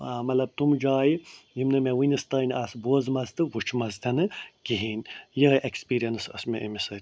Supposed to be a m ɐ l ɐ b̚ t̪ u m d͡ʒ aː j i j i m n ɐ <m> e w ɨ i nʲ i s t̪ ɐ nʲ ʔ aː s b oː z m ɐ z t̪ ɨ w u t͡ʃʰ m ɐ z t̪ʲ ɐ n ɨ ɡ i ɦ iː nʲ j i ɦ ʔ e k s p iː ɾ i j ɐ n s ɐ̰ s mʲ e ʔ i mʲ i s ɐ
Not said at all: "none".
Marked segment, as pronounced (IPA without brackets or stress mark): m